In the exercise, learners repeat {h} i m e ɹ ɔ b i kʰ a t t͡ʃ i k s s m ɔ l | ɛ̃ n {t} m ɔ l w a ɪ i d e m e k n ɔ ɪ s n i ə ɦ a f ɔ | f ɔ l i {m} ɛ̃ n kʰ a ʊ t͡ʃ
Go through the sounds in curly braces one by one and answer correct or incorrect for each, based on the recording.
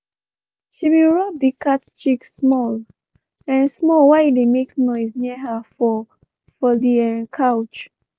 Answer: incorrect, incorrect, incorrect

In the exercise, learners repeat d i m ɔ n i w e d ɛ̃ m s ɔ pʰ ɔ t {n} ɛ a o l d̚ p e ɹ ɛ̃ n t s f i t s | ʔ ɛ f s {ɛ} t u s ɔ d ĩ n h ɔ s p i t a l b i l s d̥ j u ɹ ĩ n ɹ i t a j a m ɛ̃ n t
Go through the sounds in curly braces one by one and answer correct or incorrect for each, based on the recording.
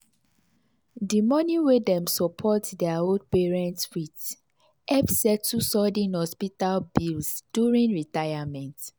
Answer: incorrect, correct

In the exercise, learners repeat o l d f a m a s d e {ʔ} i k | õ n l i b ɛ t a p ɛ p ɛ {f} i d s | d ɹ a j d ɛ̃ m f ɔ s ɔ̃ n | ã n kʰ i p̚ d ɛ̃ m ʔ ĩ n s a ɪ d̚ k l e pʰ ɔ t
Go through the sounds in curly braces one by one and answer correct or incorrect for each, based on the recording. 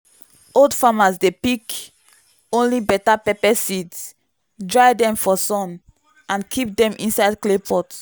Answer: incorrect, incorrect

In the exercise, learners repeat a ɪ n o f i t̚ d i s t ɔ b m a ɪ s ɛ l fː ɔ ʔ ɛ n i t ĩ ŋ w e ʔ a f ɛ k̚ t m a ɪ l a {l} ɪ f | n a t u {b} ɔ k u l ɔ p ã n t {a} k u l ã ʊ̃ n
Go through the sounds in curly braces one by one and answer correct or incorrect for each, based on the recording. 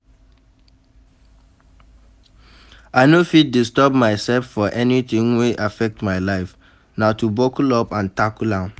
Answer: incorrect, correct, correct

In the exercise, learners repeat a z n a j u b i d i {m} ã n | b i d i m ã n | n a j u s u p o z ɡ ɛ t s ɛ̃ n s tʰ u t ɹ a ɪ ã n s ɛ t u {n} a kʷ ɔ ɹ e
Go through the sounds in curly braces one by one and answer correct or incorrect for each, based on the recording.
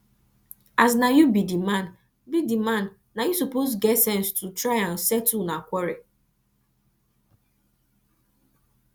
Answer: correct, correct

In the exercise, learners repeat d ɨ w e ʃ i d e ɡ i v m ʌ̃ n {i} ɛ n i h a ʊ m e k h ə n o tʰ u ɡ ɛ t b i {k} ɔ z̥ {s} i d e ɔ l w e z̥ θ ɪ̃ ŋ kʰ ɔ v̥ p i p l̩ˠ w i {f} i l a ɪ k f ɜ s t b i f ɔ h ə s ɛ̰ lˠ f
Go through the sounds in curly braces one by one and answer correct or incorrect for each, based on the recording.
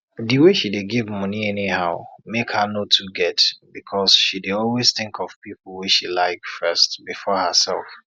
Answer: correct, incorrect, incorrect, incorrect

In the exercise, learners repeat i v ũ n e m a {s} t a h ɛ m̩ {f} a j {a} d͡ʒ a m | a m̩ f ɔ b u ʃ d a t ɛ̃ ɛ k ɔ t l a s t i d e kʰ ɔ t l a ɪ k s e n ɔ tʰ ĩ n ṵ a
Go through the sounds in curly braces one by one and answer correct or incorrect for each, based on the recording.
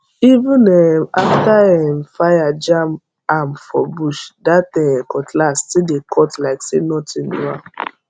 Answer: incorrect, correct, correct

